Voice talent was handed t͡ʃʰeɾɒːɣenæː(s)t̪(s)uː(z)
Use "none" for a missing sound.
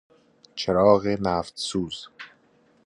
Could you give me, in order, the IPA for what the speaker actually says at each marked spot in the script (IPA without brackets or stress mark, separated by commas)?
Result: f, s, z